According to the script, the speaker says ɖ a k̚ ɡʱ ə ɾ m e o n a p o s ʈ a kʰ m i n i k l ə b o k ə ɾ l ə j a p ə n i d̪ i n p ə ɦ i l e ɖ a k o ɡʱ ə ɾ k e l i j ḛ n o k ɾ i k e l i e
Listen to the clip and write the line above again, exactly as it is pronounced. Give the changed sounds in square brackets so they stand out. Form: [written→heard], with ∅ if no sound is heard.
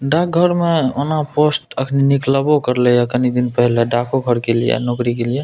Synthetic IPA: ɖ a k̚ ɡʱ ə ɾ m e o n a p o s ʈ [a→ə] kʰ [m→n] i n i k l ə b o k ə ɾ l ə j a [p→k] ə n i d̪ i n p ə ɦ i l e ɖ a k o ɡʱ ə ɾ k e l i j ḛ n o k ɾ i k e l i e